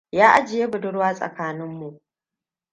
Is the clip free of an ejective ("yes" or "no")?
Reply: no